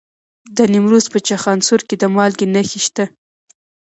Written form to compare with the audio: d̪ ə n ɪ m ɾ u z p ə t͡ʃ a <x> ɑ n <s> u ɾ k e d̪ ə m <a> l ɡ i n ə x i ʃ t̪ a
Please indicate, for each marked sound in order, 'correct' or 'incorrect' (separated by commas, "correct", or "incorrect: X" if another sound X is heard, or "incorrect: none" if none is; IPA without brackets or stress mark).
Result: correct, correct, incorrect: ɑ